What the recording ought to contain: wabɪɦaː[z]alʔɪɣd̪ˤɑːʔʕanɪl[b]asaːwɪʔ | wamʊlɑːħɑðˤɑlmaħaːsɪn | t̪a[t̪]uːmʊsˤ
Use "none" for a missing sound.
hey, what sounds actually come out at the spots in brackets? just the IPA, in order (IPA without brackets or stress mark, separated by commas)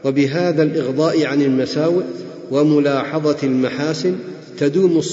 ð, m, d̪